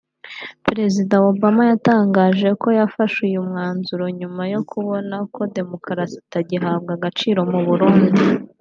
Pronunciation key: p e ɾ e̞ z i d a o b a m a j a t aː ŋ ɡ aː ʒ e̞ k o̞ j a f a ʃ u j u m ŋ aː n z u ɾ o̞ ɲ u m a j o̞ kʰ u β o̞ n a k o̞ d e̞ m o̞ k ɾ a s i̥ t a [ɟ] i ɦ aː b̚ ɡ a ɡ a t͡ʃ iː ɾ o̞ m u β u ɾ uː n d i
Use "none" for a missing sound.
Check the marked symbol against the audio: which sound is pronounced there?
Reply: ɟ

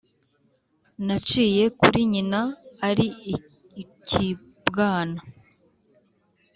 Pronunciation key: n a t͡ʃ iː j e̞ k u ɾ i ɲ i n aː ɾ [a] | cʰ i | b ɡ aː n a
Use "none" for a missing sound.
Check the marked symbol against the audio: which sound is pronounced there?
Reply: i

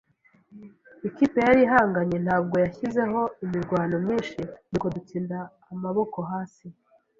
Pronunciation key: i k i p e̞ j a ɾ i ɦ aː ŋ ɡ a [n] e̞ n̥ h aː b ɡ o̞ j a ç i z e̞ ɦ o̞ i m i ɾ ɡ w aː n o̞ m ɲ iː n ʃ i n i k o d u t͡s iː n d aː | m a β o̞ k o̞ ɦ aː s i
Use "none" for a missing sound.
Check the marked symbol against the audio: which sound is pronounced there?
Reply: ɲ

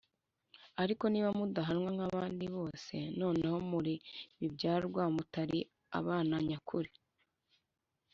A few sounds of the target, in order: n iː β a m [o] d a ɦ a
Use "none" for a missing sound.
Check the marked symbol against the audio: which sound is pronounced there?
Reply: u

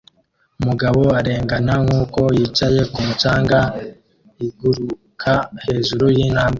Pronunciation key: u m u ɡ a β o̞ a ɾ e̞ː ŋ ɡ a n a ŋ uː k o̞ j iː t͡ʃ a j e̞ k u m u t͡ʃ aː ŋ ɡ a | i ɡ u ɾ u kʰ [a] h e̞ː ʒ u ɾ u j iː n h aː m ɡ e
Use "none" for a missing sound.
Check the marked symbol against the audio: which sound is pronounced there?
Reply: a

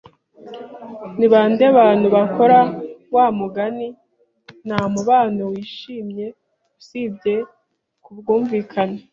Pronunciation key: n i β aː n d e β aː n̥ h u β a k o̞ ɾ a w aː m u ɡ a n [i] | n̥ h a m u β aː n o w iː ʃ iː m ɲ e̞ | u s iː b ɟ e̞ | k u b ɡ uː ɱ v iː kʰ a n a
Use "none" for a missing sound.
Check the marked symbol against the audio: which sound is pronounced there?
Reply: i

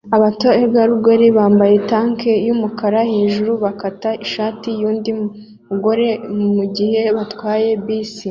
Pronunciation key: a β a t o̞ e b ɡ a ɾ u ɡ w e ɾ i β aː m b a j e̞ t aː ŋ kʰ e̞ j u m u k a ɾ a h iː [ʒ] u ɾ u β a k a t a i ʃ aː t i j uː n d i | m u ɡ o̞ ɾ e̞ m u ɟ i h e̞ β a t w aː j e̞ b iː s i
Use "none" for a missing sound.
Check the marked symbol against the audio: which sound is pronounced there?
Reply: ʒ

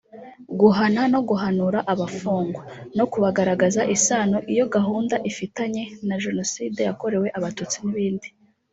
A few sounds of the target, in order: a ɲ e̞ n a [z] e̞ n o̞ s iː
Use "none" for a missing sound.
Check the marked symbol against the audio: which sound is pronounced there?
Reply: ʒ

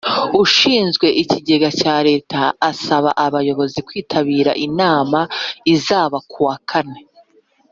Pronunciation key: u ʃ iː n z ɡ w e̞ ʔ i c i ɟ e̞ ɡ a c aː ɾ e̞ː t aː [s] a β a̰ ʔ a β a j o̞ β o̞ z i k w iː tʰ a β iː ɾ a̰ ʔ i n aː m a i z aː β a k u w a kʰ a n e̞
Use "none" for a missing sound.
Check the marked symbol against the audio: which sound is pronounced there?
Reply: s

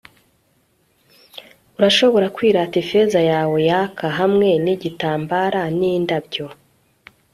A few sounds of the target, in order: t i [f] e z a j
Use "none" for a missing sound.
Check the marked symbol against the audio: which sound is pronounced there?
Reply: f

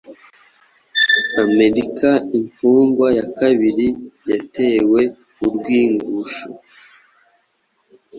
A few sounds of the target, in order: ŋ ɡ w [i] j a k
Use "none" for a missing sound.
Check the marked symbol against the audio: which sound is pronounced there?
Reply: a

